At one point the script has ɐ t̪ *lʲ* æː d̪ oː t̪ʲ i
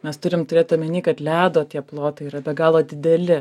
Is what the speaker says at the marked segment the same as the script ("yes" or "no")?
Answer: yes